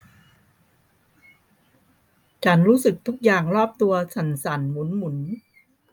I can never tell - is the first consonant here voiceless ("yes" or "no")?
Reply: yes